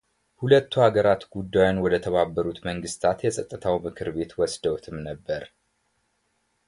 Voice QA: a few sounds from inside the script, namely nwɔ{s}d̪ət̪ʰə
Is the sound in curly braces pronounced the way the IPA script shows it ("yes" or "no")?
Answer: no